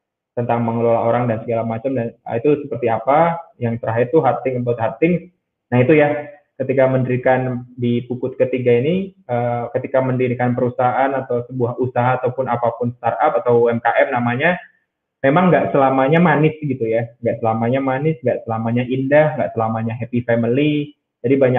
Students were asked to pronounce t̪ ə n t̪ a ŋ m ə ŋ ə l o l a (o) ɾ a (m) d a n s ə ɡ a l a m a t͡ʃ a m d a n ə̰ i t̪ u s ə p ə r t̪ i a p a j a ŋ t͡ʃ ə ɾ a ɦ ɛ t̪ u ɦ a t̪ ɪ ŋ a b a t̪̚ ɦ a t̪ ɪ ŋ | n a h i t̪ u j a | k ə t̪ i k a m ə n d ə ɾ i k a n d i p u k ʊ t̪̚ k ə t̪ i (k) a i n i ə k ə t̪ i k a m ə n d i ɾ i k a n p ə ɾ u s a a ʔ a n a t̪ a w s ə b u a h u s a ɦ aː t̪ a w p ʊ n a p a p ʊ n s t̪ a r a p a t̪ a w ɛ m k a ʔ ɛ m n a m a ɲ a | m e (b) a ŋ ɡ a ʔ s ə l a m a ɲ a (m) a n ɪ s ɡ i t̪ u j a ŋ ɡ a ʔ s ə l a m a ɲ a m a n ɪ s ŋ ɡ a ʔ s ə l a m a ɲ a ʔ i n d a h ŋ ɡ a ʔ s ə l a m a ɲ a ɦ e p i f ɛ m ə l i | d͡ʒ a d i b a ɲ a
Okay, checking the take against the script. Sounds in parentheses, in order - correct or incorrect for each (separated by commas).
correct, incorrect, incorrect, incorrect, correct